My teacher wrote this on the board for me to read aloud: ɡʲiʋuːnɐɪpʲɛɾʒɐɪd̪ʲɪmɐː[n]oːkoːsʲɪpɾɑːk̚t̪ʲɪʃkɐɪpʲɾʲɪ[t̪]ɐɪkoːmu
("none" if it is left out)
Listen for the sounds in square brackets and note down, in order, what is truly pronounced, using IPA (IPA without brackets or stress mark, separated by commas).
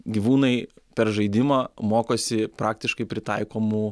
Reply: m, t̪